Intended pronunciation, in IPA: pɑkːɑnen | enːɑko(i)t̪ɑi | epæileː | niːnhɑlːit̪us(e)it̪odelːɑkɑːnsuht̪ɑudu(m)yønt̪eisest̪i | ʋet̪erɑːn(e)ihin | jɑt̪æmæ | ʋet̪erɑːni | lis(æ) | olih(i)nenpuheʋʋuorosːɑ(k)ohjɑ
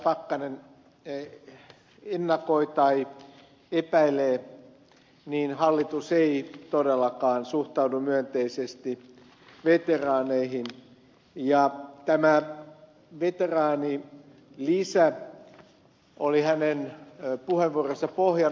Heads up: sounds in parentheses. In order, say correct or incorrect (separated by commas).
correct, correct, correct, correct, correct, incorrect, incorrect